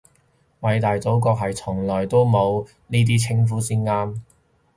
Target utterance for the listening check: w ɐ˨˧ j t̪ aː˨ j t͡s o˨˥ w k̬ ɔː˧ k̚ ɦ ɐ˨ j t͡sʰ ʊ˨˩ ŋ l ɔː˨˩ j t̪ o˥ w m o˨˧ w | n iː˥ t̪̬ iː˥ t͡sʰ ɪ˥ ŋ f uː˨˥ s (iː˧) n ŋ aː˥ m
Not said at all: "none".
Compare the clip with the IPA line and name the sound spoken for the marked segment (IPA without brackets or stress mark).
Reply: iː˥